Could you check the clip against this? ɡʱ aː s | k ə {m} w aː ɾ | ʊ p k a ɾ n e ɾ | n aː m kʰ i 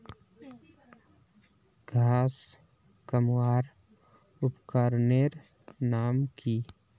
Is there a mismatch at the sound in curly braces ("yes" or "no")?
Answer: no